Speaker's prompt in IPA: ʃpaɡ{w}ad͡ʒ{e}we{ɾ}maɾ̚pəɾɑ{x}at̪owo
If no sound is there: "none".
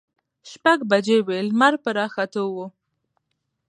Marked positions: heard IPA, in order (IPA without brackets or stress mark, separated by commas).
b, e, l, x